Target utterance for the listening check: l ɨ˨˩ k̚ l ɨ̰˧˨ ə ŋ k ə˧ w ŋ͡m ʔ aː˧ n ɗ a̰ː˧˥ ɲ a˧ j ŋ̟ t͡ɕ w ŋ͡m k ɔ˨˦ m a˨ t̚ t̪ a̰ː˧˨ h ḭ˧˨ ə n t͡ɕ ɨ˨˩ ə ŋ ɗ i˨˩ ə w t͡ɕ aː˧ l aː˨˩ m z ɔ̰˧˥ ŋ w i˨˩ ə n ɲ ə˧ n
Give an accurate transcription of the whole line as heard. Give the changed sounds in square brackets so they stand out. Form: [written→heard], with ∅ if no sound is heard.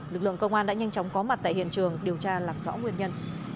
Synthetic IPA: l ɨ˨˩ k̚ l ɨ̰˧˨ ə ŋ k ə˧ w ŋ͡m ʔ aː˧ n ɗ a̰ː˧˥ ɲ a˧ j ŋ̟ t͡ɕ w ŋ͡m k ɔ˨˦ m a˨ t̚ t̪ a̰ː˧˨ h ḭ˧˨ ə n t͡ɕ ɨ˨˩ ə ŋ ɗ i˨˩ ə w t͡ɕ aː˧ l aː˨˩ m z ɔ̰˧˥ ŋ w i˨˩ ə n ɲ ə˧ n